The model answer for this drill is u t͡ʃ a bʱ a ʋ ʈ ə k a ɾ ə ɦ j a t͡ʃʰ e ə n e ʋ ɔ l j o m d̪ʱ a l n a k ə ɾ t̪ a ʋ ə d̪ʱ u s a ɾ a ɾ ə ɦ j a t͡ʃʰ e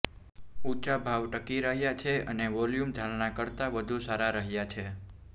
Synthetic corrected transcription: u t͡ʃ a bʱ a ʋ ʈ ə k i ɾ ə ɦ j a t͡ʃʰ e ə n e ʋ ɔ l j u m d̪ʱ a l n a k ə ɾ t̪ a ʋ ə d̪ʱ u s a ɾ a ɾ ə ɦ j a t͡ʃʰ e